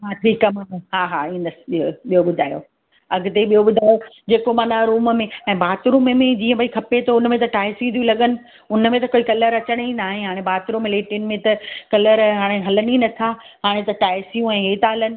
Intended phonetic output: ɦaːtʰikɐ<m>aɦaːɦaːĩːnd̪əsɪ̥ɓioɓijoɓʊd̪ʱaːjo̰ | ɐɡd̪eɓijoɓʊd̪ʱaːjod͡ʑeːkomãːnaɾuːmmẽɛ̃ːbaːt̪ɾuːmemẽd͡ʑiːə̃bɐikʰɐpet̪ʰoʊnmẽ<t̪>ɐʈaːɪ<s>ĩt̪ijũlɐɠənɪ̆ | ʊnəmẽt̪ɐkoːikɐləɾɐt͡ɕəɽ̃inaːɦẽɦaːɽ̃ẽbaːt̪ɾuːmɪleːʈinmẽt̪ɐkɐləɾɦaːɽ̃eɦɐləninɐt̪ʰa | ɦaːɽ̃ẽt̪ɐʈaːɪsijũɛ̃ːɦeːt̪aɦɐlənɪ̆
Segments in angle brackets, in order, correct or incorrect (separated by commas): correct, correct, correct